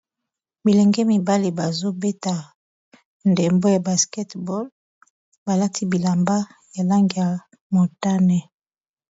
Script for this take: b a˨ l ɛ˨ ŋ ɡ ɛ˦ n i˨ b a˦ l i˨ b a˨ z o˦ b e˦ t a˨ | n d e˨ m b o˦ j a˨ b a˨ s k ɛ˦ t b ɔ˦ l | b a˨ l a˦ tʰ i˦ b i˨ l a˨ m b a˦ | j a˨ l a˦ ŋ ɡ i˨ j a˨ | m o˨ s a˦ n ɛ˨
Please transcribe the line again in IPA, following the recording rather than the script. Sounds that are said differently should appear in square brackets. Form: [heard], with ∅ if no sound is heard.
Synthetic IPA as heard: b [i˨] l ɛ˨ ŋ ɡ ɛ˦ [m] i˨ b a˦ l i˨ b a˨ z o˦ b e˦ t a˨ | n d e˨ m b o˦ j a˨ b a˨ s k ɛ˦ t b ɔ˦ l | b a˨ l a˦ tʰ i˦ b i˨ l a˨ m b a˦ | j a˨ l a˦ ŋ ɡ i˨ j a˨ | m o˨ [t] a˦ n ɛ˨